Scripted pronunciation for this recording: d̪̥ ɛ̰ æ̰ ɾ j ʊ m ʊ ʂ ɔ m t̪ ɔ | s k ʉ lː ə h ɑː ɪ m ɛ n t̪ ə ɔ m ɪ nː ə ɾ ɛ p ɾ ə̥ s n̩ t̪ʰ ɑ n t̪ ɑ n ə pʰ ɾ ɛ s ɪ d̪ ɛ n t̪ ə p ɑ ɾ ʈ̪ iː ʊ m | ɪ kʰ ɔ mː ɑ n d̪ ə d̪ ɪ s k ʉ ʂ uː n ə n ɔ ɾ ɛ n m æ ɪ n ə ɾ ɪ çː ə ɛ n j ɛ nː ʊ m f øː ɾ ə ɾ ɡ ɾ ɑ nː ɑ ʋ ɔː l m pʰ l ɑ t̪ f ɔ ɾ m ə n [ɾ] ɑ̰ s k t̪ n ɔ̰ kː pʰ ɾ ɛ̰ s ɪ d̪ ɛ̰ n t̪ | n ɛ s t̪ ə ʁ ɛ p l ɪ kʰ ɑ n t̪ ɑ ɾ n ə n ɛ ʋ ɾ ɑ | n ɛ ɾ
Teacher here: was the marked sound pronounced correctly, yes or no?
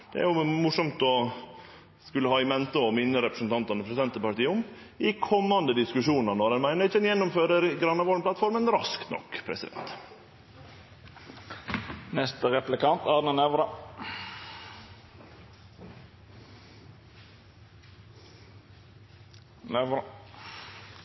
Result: yes